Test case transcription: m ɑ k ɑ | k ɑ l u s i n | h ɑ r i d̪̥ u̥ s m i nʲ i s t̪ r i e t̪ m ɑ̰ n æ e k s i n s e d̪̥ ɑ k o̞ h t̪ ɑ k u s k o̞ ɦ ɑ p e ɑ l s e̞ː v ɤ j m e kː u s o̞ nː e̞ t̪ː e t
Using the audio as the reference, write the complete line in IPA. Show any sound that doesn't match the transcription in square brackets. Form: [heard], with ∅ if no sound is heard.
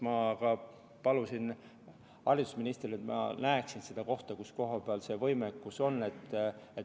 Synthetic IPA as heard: m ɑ k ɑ | [p] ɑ l u s i n | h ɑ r i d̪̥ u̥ s m i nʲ i s t̪ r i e t̪ m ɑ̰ n æ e k s i n s e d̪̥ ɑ k o̞ h t̪ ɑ k u s k o̞ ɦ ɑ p e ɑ l s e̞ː v ɤ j m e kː u s o̞ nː e̞ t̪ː e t